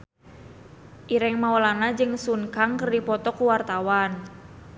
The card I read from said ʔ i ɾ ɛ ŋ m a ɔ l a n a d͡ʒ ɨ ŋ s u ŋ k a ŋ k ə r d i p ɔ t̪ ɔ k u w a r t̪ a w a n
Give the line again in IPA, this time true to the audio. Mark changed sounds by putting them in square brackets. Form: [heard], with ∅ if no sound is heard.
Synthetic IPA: ʔ i ɾ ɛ ŋ m a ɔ l a n a d͡ʒ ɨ ŋ s u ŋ k a ŋ k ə r d i p ɔ t̪ ɔ k u w a r t̪ a w a n